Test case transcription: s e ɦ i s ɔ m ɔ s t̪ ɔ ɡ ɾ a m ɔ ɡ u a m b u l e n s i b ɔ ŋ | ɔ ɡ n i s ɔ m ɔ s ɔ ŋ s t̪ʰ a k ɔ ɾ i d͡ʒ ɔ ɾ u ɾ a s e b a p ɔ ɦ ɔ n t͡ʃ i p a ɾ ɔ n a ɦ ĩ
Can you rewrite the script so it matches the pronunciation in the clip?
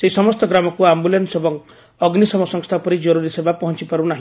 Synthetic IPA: s e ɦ i s ɔ m ɔ s t̪ ɔ ɡ ɾ a m ɔ k u a m b u l e n s e b ɔ ŋ | ɔ ɡ n i s ɔ m ɔ s ɔ ŋ s t̪ʰ a p ɔ ɾ i d͡ʒ ɔ ɾ u ɾ i s e b a p ɔ ɦ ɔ n t͡ʃ i p a ɾ u n a ɦ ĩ